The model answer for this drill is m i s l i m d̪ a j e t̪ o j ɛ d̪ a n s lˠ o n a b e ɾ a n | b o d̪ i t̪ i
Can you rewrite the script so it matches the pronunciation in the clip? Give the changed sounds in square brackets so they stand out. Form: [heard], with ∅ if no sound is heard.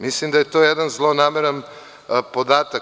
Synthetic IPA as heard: m i s l i m d̪ a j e t̪ o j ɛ d̪ a n [z] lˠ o n a [m] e ɾ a n | [p] o d̪ [a] t̪ [a]